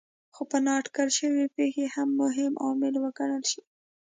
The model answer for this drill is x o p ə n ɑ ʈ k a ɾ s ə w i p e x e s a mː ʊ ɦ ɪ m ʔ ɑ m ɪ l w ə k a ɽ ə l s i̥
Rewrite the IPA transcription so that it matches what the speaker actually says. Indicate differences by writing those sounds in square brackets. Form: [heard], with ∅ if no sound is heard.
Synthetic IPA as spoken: x o p ə n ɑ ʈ k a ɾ [ʃ] ə w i p e x e [h] a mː ʊ ɦ ɪ m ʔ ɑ m ɪ l w ə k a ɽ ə l [ʃ] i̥